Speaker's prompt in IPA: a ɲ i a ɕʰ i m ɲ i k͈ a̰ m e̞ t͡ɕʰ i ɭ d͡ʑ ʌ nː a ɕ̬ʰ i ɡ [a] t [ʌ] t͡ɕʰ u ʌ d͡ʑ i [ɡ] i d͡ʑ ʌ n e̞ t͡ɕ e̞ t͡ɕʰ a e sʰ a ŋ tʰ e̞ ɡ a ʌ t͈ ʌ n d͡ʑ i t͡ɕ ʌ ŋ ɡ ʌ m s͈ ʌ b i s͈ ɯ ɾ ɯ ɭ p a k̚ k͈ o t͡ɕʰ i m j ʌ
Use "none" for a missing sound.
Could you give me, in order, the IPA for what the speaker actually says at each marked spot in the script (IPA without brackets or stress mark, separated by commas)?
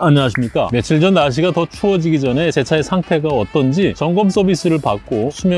a, ʌ, ɡ